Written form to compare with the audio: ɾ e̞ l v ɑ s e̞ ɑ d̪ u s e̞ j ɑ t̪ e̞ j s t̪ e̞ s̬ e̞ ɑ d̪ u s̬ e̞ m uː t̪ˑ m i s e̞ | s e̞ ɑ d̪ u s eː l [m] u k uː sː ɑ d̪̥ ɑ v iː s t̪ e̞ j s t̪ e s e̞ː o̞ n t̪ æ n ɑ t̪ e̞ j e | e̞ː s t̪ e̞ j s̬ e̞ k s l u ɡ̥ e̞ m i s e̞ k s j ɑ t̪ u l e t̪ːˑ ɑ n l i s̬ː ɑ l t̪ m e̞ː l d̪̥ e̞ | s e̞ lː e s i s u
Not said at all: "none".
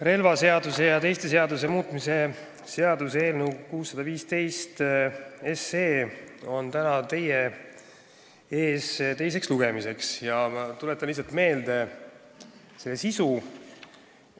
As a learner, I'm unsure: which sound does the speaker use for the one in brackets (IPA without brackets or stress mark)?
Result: n